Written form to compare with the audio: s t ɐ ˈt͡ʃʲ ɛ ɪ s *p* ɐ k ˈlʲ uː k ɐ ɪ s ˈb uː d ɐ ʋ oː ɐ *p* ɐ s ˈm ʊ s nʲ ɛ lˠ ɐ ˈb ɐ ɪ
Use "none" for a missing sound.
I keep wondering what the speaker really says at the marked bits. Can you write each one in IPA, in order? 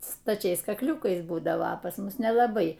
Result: k, p

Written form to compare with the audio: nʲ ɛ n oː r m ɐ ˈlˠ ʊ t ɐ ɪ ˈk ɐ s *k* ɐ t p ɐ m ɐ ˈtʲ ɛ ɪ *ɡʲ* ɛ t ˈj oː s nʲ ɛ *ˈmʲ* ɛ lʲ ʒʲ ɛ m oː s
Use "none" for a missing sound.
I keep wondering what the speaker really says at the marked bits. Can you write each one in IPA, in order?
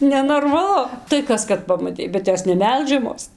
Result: k, bʲ, mʲ

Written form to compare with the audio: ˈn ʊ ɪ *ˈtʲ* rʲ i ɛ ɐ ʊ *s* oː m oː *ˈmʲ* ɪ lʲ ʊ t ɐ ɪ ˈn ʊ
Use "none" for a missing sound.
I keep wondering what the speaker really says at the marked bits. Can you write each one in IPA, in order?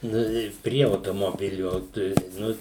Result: pʲ, t, bʲ

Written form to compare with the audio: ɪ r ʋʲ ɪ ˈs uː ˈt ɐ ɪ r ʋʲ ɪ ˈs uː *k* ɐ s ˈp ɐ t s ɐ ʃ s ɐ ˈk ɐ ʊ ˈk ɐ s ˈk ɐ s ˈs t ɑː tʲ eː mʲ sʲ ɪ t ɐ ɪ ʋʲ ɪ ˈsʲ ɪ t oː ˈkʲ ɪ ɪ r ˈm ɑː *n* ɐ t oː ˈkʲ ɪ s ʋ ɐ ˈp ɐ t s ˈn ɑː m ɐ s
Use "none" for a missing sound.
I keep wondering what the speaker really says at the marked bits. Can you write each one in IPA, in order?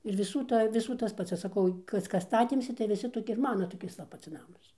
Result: t, n

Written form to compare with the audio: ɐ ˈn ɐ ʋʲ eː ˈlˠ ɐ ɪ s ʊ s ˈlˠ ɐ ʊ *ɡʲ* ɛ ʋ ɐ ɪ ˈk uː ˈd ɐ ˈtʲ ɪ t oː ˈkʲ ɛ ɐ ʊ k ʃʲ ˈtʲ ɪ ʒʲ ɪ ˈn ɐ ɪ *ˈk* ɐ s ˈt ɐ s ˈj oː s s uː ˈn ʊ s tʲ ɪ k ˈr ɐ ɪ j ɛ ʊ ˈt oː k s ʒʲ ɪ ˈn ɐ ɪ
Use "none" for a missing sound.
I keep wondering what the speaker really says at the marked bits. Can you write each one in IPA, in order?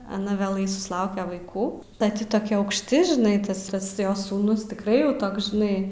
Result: kʲ, t

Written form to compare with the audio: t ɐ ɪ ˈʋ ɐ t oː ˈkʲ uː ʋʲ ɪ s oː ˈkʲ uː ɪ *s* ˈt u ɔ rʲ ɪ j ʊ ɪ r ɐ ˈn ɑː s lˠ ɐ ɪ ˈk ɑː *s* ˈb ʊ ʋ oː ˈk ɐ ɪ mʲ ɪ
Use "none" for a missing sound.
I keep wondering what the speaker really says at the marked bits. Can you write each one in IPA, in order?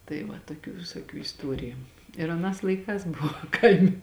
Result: s, s

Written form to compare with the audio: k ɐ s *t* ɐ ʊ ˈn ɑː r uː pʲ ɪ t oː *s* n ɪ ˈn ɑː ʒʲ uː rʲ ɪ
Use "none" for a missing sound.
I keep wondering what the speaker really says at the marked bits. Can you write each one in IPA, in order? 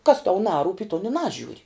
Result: t, none

